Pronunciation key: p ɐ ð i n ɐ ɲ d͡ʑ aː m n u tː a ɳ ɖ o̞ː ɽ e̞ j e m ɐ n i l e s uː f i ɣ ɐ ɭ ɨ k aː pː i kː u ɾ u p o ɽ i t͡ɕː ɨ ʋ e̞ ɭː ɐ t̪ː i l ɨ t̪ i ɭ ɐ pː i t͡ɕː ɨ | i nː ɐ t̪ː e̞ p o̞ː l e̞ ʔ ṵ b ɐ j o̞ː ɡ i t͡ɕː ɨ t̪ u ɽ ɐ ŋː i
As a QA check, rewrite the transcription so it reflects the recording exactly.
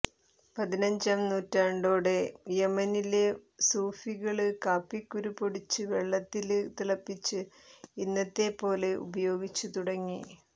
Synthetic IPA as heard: p ɐ ð i n ɐ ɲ d͡ʑ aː m n uː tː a ɳ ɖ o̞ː ɽ e̞ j e m ɐ n i l e s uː f i ɣ ɐ ɭ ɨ k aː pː i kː u ɾ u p o ɽ i t͡ɕː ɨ ʋ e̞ ɭː ɐ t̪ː i l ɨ t̪ i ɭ ɐ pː i t͡ɕː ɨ | i nː ɐ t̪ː e̞ p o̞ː l e̞ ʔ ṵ b ɐ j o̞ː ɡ i t͡ɕː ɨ t̪ u ɽ ɐ ŋː i